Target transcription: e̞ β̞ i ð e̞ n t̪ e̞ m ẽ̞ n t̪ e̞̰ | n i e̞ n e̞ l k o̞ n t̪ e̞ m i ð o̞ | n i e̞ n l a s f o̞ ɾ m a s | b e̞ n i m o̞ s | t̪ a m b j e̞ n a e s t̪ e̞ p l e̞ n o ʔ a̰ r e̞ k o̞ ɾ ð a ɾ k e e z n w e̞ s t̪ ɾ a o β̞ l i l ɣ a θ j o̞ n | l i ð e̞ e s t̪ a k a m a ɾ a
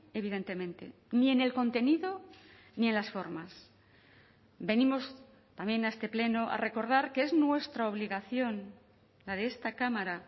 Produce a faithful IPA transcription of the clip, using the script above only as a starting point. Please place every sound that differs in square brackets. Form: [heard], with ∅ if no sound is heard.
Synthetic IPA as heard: e̞ β̞ i ð e̞ n t̪ e̞ m ẽ̞ n t̪ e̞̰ | n i e̞ n e̞ l k o̞ n t̪ e̞ [n] i ð o̞ | n i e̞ n l a s f o̞ ɾ m a s | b e̞ n i m o̞ s | t̪ a m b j e̞ n a e s t̪ e̞ p l e̞ n o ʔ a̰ r e̞ k o̞ ɾ ð a ɾ k e e z n w e̞ s t̪ ɾ a o β̞ l i [∅] ɣ a θ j o̞ n | l [a] ð e̞ e s t̪ a k a m a ɾ a